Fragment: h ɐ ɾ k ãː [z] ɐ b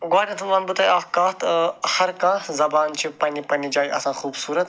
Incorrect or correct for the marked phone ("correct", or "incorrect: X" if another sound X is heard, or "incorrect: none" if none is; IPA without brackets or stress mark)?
correct